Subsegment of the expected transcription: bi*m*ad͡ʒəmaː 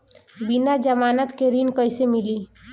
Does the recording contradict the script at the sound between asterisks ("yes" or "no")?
yes